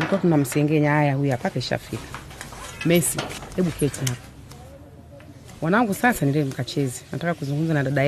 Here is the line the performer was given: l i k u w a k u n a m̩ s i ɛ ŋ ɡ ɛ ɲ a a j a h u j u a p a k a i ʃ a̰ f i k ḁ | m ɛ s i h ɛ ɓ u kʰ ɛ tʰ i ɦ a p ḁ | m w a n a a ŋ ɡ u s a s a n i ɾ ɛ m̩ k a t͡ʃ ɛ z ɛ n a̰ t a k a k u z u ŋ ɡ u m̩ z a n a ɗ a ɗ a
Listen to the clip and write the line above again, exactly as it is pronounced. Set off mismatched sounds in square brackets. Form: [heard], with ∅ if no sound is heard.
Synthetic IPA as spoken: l i k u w a k u n a m̩ s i ɛ ŋ ɡ ɛ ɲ a a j a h u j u a p a k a i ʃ a̰ f i k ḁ | m ɛ s i h ɛ ɓ u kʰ ɛ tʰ i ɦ a p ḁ | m w a n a a ŋ ɡ u s a s a n i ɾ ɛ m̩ k a t͡ʃ ɛ z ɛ n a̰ t a k a k u z u ŋ ɡ u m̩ z a n a ɗ a ɗ a